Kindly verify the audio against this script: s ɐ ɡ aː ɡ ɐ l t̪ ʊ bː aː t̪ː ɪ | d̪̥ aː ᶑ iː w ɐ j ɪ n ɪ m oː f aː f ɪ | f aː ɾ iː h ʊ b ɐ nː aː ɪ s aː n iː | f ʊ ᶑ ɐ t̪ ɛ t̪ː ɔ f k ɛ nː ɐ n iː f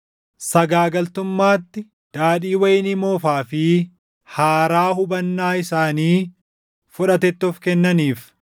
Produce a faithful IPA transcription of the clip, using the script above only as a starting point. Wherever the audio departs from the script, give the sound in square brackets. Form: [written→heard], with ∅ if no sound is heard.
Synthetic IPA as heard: s ɐ ɡ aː ɡ ɐ l t̪ ʊ [bː→mː] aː t̪ː ɪ | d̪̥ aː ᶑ iː w ɐ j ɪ n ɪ m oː f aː f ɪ | [f→h] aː ɾ [iː→aː] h ʊ b ɐ nː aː ɪ s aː n iː | f ʊ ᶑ ɐ t̪ ɛ t̪ː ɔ f k ɛ nː ɐ n iː f